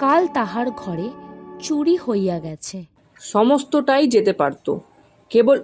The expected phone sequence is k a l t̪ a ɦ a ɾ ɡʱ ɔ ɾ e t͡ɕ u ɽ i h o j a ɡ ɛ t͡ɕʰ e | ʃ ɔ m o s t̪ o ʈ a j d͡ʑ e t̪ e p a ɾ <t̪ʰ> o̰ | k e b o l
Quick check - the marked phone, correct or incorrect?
incorrect